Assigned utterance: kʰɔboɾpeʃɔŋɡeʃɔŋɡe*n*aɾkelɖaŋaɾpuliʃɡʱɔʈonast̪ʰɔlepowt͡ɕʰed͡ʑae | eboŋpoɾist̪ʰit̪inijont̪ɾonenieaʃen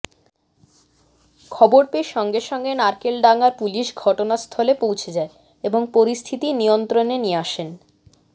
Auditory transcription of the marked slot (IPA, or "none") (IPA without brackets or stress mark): n